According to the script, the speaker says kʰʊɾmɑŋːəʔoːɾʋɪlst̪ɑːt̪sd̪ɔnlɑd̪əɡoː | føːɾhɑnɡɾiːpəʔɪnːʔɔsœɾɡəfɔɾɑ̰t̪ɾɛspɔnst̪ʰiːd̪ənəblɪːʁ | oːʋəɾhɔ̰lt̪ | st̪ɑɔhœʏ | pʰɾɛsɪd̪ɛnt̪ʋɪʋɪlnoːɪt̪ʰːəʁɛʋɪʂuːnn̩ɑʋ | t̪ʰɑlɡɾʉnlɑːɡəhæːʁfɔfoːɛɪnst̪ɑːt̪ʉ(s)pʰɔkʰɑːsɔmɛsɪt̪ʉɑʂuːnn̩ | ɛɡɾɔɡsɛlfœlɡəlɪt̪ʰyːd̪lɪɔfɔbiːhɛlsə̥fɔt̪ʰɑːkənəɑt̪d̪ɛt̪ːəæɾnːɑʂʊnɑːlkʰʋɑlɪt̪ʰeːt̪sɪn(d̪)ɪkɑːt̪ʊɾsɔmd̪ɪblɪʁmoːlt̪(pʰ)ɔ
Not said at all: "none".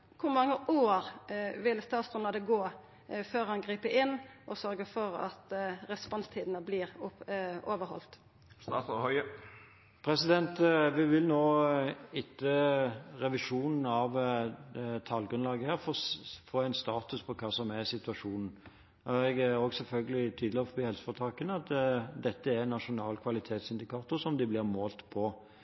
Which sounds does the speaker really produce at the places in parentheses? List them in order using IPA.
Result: s, d̪, pʰ

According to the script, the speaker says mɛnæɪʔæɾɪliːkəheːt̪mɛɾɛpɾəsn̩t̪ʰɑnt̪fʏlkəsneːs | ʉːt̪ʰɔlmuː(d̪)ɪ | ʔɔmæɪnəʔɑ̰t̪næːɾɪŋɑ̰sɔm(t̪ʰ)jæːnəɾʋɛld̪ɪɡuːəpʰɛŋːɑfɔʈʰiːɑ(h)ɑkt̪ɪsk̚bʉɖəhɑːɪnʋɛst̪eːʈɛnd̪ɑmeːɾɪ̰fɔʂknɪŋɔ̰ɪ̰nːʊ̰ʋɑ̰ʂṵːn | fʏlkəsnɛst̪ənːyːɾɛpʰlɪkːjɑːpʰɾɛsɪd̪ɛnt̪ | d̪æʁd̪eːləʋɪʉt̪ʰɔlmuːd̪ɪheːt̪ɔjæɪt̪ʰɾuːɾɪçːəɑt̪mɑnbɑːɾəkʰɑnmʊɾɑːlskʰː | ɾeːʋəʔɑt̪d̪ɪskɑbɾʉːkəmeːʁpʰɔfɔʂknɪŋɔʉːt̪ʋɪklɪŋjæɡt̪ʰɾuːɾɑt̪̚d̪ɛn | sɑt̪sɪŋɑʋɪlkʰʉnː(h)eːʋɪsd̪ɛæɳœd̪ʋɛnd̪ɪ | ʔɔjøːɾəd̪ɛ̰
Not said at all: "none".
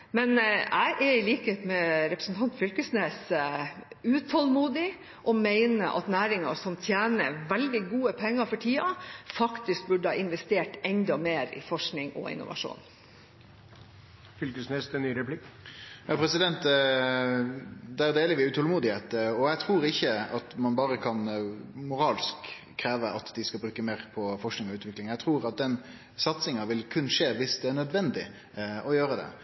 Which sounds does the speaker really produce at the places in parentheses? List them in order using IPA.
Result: d̪, t̪ʰ, f, ʂ

